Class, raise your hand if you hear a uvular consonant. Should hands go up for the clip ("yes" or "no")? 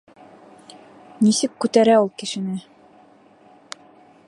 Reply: no